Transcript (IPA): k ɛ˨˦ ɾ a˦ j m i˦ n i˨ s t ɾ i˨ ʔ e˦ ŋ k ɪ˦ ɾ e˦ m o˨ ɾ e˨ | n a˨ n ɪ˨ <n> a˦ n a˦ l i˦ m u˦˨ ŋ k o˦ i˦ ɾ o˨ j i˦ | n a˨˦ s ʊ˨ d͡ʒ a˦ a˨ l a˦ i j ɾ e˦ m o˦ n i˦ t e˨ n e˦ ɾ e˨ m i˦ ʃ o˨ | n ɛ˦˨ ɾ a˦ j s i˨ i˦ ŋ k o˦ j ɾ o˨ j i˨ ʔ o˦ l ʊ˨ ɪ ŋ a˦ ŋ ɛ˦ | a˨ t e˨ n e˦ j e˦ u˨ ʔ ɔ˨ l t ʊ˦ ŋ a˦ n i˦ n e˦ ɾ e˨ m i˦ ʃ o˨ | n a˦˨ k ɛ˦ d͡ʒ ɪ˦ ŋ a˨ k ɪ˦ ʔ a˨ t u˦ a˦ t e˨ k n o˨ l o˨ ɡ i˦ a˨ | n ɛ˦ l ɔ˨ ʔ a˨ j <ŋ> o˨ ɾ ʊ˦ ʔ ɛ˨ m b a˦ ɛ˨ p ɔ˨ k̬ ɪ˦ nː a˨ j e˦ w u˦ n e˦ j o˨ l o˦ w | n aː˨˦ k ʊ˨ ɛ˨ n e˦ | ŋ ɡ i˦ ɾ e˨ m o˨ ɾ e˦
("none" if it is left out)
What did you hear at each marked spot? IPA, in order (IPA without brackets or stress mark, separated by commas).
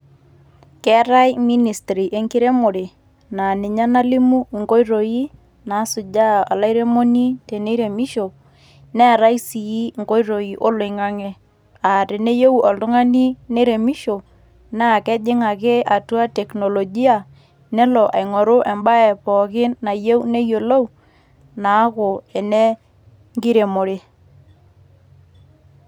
ɲ, ŋ